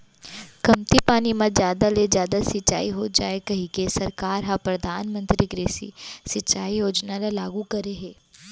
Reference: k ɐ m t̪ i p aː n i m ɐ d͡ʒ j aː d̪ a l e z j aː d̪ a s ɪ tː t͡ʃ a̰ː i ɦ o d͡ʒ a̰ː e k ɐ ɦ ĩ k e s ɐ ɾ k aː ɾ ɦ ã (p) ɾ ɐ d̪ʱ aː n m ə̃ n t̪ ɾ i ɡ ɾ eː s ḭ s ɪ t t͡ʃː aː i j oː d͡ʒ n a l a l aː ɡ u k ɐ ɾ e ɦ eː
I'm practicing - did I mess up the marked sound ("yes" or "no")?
no